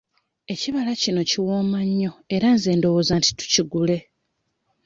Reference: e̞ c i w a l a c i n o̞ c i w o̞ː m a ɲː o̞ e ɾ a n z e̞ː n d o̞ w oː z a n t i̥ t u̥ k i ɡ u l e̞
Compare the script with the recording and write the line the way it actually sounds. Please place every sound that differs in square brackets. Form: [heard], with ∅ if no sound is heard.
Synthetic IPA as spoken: e̞ c i [β] a l a c i n o̞ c i w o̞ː m a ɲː o̞ e ɾ a n z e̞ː n d o̞ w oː z a n t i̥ t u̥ [c] i ɡ u l e̞